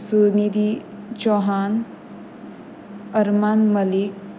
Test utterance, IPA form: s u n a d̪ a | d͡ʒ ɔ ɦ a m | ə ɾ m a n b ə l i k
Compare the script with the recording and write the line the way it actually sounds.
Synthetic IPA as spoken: s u n i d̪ i | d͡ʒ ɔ ɦ a n | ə ɾ m a n m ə l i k